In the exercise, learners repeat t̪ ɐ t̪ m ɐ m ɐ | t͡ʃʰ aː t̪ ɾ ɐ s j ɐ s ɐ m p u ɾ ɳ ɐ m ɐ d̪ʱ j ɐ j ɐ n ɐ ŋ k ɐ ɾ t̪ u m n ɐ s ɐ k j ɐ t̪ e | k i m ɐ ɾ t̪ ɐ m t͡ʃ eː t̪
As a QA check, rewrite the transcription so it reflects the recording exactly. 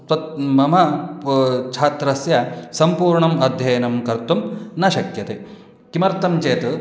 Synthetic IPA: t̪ ɐ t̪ m ɐ m ɐ | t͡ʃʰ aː t̪ ɾ ɐ s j ɐ s ɐ m p uː ɾ ɳ ɐ m ɐ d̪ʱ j ɐ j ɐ n ɐ m k ɐ ɾ t̪ u m n ɐ ʃ ɐ k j ɐ t̪ e | k i m ɐ ɾ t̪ ɐ m t͡ʃ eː t̪